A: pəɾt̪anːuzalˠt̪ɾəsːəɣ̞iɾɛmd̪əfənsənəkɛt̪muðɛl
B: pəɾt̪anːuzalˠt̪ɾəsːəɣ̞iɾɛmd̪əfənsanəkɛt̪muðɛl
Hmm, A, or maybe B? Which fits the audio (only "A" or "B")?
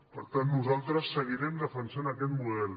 B